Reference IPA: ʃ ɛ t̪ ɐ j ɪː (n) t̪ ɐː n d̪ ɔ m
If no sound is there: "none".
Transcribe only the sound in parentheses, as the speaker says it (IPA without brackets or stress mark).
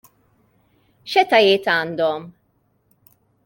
none